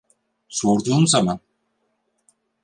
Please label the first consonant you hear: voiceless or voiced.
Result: voiceless